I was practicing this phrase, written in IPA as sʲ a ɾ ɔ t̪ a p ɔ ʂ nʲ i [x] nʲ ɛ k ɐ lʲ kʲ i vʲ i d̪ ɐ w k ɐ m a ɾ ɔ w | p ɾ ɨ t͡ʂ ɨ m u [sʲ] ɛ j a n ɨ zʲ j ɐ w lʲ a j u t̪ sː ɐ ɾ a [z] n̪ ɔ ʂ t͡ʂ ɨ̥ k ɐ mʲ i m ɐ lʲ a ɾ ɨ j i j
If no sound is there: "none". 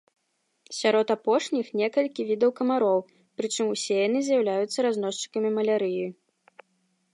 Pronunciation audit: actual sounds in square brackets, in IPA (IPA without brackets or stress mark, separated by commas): x, sʲ, z